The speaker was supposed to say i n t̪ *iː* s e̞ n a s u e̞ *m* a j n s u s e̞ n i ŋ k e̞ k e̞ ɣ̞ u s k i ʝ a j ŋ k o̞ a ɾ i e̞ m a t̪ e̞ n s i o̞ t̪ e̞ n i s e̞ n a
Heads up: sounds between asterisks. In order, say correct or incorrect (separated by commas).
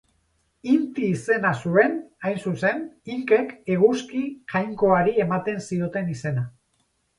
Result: correct, incorrect